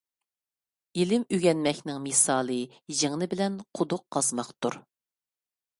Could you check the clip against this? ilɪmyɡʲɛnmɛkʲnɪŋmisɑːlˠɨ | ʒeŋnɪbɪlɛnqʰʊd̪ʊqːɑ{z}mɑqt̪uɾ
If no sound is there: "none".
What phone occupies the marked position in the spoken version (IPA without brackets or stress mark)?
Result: z